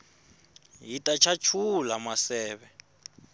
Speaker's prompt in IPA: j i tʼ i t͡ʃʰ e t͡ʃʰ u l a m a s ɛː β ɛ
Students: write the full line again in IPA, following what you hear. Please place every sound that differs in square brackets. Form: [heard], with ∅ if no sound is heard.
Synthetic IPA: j i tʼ [a] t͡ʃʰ [a] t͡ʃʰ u l a m a s ɛː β ɛ